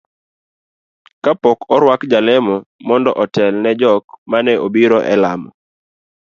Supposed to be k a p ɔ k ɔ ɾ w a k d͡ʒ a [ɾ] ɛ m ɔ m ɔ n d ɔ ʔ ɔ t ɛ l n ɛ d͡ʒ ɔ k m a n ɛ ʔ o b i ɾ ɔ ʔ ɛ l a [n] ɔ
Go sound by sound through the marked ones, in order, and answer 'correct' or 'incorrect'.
incorrect, incorrect

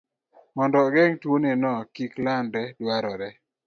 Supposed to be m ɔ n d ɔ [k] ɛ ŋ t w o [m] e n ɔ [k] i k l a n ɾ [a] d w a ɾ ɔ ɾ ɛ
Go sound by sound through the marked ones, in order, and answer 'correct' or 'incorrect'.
incorrect, incorrect, correct, incorrect

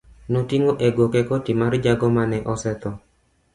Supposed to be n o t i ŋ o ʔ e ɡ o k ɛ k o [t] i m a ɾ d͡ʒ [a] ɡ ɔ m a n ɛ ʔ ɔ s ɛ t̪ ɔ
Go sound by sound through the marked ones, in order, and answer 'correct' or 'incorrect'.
correct, correct

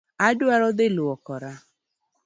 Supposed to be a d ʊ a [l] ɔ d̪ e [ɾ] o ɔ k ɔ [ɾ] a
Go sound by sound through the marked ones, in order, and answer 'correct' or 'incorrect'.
incorrect, incorrect, correct

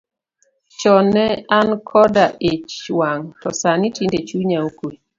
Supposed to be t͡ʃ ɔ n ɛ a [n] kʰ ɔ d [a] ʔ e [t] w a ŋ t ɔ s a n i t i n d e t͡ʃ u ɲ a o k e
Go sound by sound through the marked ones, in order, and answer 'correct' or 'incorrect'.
correct, correct, incorrect

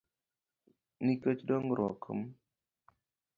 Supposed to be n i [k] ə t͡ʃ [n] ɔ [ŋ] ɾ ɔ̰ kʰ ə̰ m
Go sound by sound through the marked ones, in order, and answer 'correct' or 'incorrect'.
correct, incorrect, correct

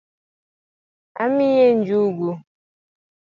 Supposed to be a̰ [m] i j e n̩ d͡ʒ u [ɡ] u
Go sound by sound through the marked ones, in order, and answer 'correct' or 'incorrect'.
correct, correct

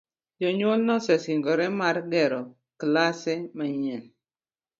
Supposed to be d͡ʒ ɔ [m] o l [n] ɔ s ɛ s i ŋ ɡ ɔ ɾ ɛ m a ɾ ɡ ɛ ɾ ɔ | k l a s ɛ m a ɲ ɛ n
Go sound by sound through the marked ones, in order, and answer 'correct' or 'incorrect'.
incorrect, correct

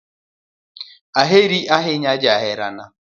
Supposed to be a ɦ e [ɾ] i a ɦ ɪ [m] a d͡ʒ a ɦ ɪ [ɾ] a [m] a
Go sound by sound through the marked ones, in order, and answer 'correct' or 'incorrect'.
correct, incorrect, correct, incorrect

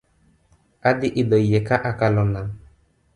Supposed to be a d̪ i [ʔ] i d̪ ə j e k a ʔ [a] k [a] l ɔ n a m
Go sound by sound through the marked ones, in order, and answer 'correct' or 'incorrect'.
correct, correct, correct

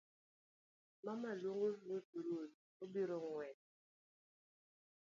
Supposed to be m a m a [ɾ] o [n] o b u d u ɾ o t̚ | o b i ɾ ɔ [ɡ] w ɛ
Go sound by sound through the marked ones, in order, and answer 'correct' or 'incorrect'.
incorrect, incorrect, incorrect

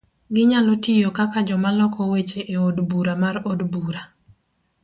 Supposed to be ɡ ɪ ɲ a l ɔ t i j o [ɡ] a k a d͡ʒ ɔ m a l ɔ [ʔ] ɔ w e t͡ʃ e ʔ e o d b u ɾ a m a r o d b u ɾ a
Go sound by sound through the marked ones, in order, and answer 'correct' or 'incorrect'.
incorrect, incorrect

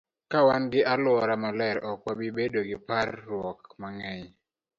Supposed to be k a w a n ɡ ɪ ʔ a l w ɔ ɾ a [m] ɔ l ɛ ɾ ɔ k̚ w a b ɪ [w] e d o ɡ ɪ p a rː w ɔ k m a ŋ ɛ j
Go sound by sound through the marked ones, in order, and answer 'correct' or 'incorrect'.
correct, incorrect

